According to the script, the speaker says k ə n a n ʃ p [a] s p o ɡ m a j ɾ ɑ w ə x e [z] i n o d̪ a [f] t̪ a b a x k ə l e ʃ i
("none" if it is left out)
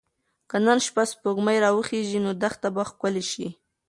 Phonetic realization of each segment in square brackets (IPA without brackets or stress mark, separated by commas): a, ʒ, x